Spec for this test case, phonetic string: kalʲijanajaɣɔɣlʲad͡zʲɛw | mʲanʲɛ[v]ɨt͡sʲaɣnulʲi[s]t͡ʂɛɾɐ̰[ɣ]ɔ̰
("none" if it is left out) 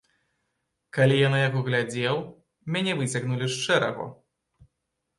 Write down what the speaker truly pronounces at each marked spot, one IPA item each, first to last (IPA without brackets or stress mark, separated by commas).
v, ʂ, ɣ